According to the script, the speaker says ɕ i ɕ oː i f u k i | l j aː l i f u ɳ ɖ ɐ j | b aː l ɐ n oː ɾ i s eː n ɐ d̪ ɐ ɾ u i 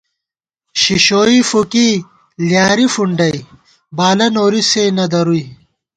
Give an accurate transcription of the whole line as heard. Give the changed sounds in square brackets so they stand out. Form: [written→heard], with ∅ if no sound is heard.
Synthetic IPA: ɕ i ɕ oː i f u k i | l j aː [l→ɾ] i f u ɳ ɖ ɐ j | b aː l ɐ n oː ɾ i s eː n ɐ d̪ ɐ ɾ u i